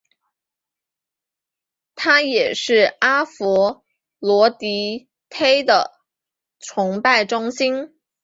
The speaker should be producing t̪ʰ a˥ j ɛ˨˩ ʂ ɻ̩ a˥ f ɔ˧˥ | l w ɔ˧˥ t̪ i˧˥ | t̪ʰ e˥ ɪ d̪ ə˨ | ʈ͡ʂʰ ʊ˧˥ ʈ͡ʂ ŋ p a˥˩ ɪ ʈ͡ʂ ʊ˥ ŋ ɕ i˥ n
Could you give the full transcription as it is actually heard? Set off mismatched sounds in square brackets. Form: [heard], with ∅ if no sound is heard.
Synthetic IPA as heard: t̪ʰ a˥ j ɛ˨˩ ʂ ɻ̩ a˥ f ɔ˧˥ | l w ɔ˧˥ t̪ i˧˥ | t̪ʰ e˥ ɪ d̪ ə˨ | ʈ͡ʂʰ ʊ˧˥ [∅] ŋ p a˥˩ ɪ ʈ͡ʂ ʊ˥ ŋ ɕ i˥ n